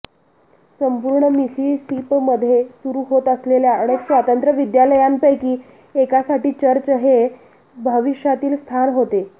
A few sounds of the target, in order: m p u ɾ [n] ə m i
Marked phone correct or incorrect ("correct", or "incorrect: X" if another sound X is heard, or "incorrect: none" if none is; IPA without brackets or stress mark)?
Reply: incorrect: ɳ